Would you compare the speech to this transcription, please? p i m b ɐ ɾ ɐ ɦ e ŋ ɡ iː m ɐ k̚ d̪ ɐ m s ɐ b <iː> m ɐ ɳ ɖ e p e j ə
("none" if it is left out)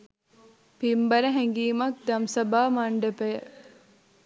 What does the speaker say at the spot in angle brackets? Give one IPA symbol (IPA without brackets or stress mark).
aː